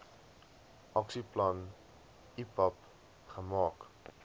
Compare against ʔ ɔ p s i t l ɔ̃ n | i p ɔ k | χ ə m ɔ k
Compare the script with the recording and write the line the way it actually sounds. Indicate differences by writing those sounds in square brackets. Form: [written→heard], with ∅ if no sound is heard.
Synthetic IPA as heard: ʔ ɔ [p→k] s i [t→p] l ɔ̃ n | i p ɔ [k→p] | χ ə m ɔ k